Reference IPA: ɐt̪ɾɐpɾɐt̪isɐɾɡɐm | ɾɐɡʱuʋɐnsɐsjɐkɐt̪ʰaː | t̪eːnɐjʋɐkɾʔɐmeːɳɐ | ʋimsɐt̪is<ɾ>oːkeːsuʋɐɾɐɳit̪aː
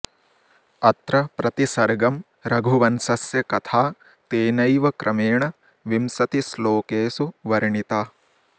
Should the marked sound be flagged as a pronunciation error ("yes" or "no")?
yes